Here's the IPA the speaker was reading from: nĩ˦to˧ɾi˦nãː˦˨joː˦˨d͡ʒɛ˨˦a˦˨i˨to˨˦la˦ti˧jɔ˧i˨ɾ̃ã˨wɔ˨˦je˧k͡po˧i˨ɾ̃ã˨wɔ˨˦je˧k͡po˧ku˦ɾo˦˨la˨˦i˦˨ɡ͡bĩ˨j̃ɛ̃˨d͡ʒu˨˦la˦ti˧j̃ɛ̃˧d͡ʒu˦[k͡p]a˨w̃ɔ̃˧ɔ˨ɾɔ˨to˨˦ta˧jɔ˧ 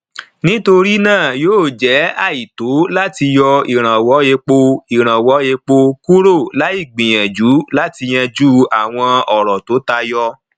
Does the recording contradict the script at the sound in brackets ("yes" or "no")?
yes